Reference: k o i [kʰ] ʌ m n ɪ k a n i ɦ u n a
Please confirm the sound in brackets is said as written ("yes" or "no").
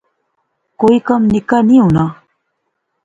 no